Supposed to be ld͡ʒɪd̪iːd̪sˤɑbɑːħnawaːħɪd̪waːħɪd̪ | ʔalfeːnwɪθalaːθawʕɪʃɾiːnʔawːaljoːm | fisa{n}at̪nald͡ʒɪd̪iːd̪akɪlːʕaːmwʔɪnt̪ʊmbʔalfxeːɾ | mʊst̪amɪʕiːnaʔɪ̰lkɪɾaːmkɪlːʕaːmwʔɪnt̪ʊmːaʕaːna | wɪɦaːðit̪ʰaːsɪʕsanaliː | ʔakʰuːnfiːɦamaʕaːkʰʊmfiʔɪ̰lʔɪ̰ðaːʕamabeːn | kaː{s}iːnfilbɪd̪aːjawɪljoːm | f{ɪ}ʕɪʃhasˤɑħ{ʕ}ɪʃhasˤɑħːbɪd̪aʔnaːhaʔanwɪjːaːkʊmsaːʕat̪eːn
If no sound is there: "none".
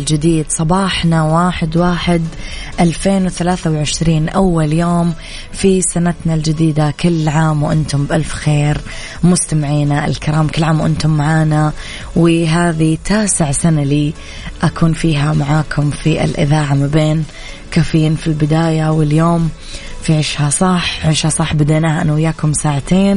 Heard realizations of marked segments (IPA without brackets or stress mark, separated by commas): n, f, i, ʕ